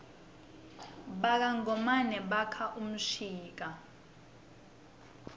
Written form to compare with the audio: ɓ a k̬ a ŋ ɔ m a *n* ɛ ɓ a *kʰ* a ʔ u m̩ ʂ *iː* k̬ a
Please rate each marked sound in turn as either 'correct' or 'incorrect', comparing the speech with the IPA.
correct, correct, correct

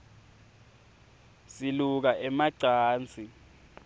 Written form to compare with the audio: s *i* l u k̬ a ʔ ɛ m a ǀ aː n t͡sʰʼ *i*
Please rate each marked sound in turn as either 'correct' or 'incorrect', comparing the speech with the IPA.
correct, correct

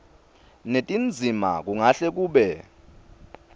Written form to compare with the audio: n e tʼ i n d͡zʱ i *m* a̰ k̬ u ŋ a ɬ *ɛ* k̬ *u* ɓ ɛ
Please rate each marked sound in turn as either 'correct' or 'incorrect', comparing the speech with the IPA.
correct, correct, incorrect

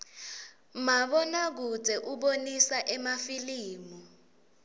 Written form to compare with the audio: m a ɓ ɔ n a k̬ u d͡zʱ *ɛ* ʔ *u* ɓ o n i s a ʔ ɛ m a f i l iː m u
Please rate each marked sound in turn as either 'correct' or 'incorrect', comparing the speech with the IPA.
correct, correct

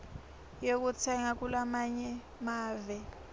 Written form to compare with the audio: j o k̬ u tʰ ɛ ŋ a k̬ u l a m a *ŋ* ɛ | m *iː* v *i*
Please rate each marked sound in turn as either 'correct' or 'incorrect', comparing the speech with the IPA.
incorrect, incorrect, incorrect

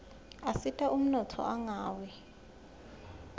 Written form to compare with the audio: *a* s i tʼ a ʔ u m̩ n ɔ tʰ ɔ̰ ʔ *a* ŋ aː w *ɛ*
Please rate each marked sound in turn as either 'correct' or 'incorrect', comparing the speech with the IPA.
correct, correct, correct

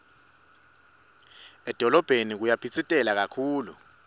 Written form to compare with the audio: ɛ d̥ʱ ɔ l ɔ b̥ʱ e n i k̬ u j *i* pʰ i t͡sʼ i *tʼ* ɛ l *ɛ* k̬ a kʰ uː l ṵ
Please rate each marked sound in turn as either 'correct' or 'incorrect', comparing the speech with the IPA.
incorrect, correct, incorrect

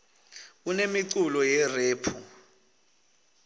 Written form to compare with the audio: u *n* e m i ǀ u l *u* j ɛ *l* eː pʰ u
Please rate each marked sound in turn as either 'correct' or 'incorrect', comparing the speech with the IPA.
correct, incorrect, incorrect

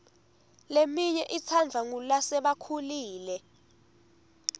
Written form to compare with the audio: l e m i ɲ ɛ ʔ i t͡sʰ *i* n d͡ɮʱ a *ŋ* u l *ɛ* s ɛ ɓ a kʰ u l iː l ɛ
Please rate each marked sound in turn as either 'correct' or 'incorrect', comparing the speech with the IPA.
incorrect, correct, incorrect

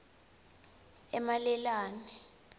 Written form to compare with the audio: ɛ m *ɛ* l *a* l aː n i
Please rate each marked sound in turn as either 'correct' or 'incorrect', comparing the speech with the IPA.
incorrect, incorrect

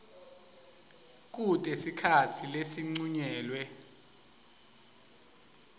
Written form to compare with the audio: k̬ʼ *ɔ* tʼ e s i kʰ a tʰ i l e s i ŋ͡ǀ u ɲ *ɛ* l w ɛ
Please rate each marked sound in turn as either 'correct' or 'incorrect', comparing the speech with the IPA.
incorrect, incorrect

